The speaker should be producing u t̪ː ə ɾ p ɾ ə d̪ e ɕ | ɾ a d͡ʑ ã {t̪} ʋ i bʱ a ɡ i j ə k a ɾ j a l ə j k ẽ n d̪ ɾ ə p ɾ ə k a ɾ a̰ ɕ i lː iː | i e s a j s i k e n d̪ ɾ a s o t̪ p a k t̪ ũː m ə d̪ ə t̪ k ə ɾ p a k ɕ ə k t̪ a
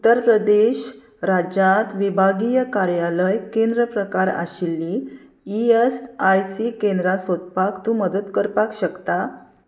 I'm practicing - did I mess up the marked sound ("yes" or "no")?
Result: no